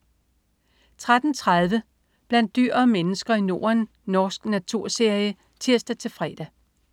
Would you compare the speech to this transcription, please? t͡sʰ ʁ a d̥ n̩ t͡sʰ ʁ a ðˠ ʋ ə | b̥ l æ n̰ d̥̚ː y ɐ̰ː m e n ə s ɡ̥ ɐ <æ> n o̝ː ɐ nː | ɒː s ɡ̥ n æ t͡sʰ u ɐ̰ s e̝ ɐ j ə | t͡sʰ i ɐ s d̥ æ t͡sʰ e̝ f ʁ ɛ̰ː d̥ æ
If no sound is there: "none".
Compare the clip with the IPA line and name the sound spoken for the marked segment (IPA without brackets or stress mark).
i